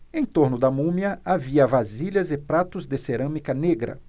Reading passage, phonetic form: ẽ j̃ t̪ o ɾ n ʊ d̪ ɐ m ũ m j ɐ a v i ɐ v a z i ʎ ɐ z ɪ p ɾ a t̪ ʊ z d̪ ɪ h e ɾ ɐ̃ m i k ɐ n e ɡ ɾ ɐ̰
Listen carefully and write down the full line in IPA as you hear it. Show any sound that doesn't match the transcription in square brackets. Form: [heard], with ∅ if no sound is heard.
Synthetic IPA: ẽ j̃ t̪ o ɾ n ʊ d̪ ɐ m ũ m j ɐ a v i ɐ v a z i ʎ ɐ z ɪ p ɾ a t̪ ʊ z d̪ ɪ [s] e ɾ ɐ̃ m i k ɐ n e ɡ ɾ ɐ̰